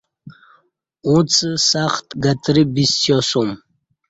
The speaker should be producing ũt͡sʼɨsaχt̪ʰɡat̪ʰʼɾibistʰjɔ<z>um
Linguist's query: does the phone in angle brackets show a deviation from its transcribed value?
yes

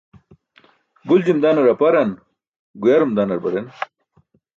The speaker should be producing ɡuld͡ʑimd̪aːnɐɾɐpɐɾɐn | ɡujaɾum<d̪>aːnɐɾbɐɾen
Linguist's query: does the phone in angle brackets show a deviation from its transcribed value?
no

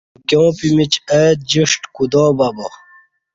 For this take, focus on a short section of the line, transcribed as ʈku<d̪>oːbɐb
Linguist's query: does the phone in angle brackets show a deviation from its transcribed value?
no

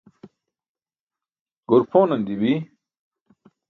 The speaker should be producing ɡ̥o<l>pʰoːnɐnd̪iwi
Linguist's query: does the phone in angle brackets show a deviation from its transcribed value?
yes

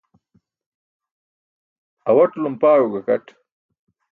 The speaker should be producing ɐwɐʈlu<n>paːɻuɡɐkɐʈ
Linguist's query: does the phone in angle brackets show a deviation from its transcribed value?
yes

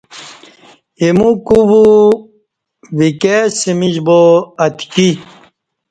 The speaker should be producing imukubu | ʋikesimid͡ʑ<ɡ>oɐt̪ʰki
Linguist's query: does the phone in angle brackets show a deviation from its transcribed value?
yes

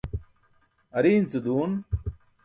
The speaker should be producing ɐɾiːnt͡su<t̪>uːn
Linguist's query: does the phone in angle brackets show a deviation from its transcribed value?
yes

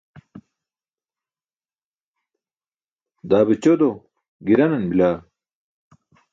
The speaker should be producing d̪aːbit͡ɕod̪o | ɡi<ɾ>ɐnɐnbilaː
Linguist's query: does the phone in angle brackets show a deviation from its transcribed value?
no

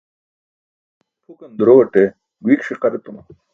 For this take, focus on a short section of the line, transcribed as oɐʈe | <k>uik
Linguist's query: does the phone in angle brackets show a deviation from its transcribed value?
yes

